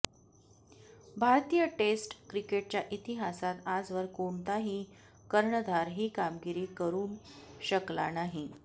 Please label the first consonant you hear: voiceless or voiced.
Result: voiced